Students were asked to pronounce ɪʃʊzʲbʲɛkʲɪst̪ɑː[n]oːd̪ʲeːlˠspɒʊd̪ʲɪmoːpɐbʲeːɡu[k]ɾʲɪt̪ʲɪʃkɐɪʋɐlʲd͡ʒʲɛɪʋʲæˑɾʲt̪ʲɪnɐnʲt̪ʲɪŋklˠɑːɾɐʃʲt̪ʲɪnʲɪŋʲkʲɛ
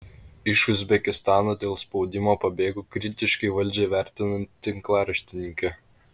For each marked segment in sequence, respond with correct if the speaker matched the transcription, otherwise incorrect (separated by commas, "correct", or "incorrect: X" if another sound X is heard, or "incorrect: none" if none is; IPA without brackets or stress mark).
correct, correct